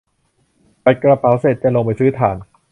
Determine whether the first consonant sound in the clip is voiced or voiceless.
voiceless